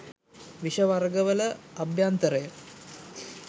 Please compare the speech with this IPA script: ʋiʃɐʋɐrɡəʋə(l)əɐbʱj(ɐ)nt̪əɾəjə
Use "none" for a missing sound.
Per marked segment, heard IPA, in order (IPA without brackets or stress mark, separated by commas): l, a